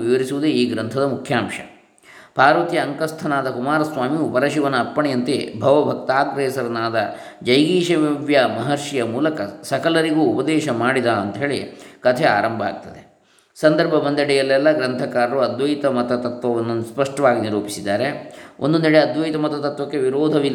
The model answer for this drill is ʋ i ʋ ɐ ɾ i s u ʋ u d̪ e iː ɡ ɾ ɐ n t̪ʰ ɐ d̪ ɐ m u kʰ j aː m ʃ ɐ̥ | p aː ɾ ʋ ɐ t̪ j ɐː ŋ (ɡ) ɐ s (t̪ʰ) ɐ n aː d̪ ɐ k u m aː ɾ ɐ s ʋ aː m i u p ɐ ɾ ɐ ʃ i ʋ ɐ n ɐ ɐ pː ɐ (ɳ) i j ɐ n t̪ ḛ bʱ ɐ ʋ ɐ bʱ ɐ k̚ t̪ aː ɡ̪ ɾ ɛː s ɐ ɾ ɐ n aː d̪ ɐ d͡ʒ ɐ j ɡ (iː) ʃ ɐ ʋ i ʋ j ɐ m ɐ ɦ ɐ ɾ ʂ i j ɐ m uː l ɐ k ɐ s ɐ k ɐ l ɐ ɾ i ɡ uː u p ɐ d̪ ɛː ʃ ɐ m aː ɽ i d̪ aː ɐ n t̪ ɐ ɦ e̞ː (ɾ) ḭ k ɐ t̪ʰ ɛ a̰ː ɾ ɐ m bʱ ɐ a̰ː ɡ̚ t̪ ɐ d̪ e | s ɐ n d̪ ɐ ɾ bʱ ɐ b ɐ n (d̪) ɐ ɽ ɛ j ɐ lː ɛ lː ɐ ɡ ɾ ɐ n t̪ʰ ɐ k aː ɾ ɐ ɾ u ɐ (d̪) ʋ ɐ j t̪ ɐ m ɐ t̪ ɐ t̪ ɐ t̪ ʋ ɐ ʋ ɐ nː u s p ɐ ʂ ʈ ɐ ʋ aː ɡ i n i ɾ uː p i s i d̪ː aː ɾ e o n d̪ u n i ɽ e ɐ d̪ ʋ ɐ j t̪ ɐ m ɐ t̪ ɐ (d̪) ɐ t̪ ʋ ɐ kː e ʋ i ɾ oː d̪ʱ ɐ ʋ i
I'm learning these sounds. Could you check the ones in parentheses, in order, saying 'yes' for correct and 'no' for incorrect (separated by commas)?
no, yes, yes, yes, no, yes, yes, no